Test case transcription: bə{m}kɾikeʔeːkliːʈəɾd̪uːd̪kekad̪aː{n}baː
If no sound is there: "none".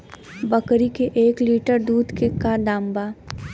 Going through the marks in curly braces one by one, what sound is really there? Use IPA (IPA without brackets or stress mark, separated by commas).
none, m